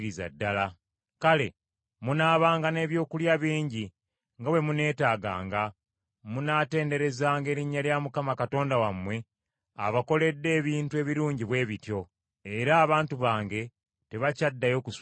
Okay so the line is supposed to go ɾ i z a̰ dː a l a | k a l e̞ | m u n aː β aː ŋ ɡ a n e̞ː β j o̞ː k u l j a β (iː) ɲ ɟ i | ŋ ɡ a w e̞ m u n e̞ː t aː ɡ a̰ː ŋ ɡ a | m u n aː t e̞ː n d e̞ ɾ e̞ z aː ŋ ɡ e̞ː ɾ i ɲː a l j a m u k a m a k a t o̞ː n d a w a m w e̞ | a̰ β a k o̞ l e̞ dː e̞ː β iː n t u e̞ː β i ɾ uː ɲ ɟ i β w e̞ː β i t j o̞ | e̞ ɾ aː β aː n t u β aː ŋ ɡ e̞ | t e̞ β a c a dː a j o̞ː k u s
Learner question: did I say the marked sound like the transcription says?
yes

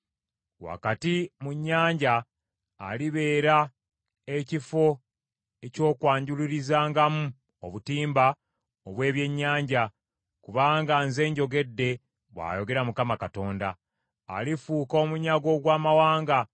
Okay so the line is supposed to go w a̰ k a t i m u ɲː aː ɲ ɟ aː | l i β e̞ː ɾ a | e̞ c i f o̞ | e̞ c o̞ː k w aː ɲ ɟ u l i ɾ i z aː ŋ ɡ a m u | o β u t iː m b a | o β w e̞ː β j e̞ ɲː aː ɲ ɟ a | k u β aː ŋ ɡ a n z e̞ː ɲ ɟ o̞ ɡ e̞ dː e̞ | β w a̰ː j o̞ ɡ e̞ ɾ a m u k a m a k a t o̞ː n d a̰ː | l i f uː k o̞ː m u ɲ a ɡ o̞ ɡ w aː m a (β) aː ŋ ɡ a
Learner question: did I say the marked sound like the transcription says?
no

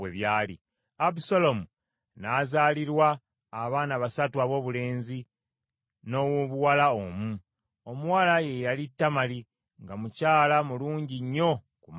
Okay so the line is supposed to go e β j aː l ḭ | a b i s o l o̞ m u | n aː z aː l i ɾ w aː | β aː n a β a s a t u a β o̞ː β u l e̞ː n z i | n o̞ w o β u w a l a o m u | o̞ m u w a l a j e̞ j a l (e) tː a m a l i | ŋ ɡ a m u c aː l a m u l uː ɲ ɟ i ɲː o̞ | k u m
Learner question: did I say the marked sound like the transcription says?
no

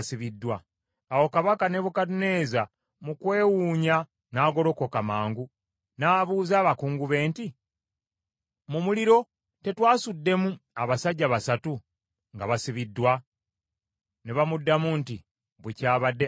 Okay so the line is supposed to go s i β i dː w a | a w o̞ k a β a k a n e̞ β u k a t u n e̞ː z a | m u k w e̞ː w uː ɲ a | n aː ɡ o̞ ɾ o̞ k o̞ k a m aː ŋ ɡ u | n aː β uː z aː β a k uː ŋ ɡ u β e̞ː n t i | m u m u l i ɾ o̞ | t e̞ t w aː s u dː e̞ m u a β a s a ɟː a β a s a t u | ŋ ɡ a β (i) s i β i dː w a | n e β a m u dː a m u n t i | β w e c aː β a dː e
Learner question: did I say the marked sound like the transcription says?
no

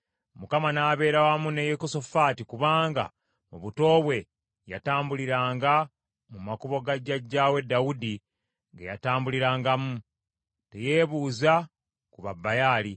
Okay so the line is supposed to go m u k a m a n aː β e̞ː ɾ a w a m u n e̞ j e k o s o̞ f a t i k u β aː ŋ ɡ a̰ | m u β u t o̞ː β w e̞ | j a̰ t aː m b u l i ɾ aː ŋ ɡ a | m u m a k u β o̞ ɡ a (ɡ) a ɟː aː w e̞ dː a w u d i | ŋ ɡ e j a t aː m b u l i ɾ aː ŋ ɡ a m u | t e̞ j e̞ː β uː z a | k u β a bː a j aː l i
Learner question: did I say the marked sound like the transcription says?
no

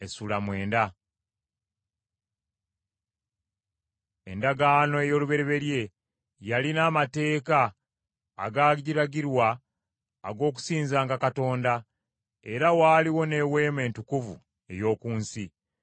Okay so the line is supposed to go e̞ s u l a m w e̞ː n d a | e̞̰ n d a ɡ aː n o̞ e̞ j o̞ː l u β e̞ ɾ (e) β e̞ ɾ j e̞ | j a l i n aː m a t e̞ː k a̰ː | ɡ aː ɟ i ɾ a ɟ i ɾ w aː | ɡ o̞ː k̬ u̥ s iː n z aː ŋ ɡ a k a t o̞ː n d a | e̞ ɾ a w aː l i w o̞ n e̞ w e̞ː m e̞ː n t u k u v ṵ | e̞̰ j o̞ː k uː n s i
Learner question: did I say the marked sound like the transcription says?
yes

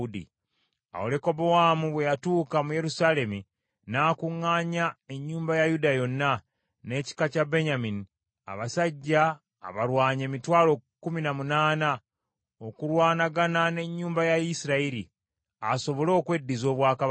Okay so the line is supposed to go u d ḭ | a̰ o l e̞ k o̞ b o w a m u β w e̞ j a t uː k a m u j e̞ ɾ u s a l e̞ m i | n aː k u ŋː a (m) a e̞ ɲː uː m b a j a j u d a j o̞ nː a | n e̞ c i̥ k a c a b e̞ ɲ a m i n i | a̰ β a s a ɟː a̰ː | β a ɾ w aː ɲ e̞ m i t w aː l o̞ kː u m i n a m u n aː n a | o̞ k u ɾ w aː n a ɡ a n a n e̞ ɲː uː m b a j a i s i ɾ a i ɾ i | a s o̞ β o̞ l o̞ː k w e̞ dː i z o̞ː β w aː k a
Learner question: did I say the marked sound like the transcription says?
no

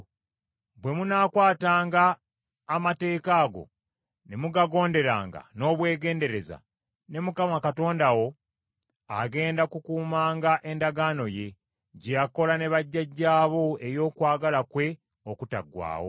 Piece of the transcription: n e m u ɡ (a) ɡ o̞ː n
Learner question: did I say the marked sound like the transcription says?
yes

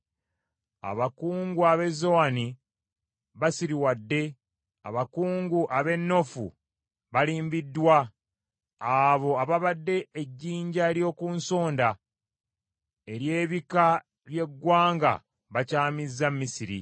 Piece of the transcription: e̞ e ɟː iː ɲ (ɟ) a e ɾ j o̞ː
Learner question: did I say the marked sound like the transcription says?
yes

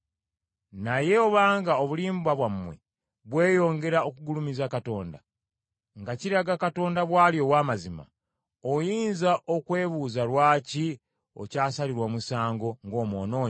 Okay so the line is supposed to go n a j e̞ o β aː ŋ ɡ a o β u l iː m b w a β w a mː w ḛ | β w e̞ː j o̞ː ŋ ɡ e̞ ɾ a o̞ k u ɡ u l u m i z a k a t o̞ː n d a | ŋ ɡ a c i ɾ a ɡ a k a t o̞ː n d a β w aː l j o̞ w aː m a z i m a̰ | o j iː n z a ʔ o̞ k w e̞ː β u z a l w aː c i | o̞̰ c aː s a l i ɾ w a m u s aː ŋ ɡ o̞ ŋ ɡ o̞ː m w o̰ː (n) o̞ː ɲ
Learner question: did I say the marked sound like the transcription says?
yes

